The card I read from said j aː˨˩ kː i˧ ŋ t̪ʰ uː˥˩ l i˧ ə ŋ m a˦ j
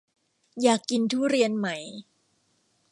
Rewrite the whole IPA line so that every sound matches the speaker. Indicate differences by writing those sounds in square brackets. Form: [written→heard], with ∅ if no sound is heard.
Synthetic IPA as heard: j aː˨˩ kː i˧ [ŋ→n] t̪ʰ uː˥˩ [l→ɾ] i˧ ə [ŋ→n] m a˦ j